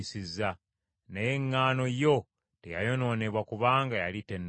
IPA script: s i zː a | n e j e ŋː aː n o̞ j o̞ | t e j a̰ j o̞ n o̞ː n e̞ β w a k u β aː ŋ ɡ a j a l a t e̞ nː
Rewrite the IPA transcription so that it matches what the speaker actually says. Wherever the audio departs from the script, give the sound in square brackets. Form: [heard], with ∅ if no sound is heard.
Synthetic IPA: s i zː a | n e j e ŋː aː n o̞ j o̞ | t e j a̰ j o̞ n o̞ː n e̞ β w a k u β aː ŋ ɡ a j a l [i] t e̞ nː